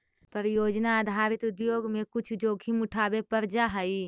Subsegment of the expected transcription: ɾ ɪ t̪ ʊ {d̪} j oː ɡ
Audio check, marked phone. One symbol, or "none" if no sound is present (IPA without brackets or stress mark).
d̪